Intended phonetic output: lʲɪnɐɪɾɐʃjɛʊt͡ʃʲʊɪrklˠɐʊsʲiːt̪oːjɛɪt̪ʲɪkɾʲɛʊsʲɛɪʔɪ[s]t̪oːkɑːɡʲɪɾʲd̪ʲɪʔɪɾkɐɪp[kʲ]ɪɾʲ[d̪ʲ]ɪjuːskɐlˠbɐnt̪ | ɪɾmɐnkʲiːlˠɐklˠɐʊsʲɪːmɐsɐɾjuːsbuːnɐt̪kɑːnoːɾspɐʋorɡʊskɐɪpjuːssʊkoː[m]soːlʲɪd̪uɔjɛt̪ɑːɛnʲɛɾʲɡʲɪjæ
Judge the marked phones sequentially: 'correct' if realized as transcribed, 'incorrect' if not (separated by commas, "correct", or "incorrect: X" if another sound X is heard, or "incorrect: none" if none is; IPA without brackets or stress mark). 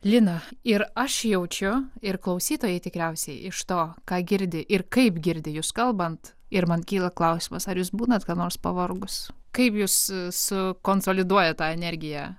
incorrect: ʃ, incorrect: ɡʲ, correct, incorrect: n